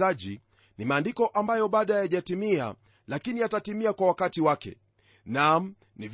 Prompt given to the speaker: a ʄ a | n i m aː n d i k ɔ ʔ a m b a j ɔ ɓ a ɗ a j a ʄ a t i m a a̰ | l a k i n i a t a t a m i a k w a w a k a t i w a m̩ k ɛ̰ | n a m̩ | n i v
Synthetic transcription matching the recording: a ʄ i | n i m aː n d i k ɔ ʔ a m b a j ɔ ɓ a ɗ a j a ʄ a t i m i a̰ | l a k i n i a t a t i m i a k w a w a k a t i w a k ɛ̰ | n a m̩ | n i v